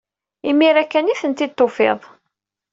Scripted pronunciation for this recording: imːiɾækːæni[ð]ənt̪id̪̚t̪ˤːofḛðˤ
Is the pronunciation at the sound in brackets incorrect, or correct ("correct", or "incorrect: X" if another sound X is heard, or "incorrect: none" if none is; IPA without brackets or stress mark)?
incorrect: θ